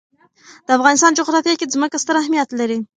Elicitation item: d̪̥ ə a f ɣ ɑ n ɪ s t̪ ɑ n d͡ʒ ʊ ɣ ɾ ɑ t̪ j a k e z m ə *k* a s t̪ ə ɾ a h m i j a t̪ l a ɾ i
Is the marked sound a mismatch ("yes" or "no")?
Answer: no